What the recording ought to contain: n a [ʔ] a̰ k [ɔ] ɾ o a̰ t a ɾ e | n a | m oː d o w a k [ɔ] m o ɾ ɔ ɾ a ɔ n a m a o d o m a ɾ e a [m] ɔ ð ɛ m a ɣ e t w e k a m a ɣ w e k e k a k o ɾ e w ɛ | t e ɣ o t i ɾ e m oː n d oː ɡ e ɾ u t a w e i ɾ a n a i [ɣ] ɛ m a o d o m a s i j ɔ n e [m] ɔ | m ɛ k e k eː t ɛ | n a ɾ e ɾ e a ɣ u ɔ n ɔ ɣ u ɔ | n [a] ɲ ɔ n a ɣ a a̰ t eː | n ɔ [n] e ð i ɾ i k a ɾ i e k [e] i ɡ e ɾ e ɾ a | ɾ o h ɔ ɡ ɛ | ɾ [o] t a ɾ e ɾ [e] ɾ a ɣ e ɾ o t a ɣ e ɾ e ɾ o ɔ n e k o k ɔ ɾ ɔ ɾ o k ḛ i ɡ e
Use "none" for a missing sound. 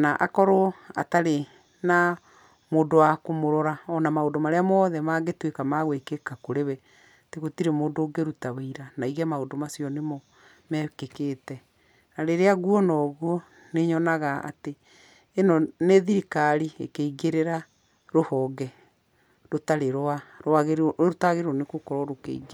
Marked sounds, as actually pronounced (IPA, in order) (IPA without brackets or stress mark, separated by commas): ʔ, ɔ, o, m, ɣ, m, e, n, e, o, a